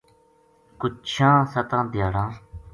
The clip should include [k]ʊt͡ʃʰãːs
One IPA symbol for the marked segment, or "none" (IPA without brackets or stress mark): k